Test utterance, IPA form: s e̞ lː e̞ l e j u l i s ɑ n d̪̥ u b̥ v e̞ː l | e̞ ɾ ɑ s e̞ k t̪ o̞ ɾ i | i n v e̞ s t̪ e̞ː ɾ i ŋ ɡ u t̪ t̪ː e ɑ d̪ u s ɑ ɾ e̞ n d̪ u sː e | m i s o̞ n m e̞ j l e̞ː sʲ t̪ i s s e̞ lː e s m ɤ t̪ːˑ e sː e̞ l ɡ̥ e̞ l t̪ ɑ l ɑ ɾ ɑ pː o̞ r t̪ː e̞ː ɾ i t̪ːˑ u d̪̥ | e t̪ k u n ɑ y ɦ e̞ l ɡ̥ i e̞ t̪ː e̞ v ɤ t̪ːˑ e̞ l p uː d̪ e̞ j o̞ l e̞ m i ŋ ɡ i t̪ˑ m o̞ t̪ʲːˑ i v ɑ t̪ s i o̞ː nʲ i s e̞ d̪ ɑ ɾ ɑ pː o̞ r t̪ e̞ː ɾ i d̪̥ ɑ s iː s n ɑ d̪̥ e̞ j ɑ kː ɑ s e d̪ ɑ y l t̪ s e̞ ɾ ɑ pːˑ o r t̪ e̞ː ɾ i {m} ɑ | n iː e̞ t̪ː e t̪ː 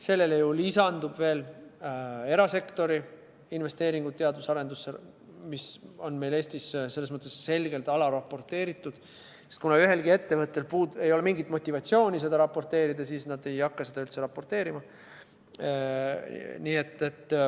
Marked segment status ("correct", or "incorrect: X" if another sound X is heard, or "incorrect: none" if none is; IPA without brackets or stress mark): correct